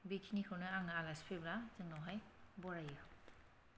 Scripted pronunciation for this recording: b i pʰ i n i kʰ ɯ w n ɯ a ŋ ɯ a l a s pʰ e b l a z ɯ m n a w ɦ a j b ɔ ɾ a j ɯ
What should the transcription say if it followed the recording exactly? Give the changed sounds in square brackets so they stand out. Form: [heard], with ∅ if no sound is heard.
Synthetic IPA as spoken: b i [kʰ] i n i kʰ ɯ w n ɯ a ŋ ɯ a l a s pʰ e b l a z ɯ [ŋ] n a w ɦ a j b ɔ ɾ a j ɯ